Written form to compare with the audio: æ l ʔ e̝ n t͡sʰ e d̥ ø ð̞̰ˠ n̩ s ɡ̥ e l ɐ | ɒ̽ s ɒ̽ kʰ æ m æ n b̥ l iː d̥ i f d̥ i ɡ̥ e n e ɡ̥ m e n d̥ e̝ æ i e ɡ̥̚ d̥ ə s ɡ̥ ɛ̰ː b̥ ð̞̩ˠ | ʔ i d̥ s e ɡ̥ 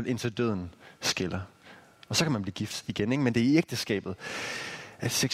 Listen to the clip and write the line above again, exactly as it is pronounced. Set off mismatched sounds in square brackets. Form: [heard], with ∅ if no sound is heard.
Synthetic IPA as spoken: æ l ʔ e̝ n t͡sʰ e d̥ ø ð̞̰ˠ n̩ s ɡ̥ e l ɐ | ɒ̽ s ɒ̽ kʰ æ m æ n b̥ l iː [ɡ̥] i f d̥ i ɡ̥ e n e ɡ̥ m e n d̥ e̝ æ i e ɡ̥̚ d̥ ə s ɡ̥ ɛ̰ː b̥ ð̞̩ˠ | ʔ [æ] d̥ s e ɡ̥